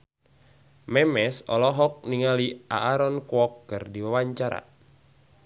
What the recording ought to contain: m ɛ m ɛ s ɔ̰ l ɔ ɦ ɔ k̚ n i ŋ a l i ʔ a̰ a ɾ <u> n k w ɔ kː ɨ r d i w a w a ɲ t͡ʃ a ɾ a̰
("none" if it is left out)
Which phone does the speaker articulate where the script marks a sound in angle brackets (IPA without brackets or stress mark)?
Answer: ɔ